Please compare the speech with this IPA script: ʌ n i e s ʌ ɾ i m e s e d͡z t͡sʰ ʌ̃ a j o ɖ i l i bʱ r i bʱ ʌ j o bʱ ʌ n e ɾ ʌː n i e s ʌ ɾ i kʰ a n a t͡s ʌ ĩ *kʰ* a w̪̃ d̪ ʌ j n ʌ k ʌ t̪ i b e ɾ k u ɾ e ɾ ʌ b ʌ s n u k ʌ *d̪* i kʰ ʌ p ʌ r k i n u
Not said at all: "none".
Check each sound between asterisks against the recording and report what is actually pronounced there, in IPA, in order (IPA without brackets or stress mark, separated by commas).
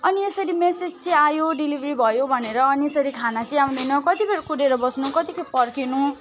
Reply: none, t̪